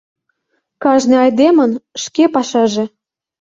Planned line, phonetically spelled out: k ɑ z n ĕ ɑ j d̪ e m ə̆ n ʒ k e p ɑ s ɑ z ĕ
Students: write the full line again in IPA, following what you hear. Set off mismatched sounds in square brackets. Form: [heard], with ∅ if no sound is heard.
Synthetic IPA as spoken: k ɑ [ʒ] n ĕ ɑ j d̪ e m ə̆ n [ʃ] k e p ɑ [ʃ] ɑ [ʒ] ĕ